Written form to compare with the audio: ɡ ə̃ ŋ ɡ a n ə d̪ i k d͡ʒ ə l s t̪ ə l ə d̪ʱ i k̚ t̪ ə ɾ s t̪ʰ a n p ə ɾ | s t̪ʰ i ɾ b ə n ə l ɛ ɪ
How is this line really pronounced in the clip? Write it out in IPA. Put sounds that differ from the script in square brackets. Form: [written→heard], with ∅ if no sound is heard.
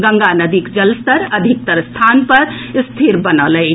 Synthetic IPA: ɡ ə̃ ŋ ɡ a n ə d̪ i k d͡ʒ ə l s t̪ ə [l→ɾ] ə d̪ʱ i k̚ t̪ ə ɾ s t̪ʰ a n p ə ɾ | s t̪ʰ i ɾ b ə n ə l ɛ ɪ